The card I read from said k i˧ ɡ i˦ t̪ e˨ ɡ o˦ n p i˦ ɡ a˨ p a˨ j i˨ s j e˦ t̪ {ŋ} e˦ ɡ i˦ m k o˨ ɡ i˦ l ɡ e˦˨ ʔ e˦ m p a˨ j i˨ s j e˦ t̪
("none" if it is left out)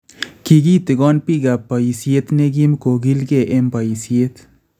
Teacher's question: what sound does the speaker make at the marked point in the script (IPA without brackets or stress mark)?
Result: n